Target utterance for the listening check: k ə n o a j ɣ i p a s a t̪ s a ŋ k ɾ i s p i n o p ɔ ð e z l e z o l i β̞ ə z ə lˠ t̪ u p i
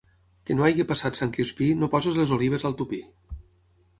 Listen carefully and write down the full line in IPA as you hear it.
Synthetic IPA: k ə n o a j ɣ i p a s a t̪ s a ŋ k ɾ i s p i n o p ɔ z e z l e z o l i β̞ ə z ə lˠ t̪ u p i